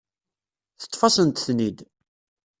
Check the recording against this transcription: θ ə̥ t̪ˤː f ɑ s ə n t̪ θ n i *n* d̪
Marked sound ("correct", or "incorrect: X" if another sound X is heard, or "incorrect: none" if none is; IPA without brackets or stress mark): incorrect: none